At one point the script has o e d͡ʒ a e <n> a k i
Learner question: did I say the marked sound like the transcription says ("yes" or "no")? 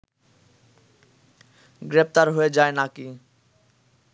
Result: yes